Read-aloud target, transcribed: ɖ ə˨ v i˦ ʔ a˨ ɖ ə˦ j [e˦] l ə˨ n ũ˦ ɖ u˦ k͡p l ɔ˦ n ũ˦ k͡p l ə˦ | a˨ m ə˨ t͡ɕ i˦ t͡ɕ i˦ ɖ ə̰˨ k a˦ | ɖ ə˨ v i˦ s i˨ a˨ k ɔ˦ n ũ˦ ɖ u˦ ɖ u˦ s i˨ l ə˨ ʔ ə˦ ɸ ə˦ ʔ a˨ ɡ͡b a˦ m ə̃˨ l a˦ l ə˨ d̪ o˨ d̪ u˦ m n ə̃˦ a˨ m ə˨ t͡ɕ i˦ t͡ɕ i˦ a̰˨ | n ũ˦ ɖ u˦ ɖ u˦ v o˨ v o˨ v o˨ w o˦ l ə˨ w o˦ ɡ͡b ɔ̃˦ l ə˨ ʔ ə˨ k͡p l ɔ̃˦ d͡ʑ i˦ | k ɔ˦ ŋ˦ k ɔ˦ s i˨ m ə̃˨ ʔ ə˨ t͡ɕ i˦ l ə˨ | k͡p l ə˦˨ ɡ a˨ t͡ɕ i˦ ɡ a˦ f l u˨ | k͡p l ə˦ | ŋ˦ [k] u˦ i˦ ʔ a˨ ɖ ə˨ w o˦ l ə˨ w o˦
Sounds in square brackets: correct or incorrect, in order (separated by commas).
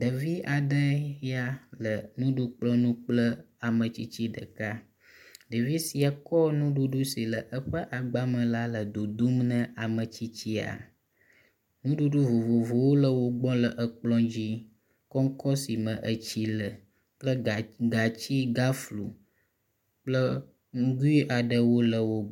incorrect, incorrect